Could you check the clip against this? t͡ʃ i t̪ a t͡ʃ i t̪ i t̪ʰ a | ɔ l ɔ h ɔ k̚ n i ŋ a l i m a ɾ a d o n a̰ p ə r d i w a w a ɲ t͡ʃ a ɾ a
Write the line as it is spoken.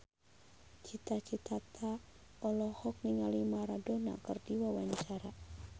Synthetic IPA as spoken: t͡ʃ i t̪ a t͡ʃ i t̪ a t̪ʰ a | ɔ l ɔ h ɔ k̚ n i ŋ a l i m a ɾ a d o n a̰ k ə r d i w a w a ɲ t͡ʃ a ɾ a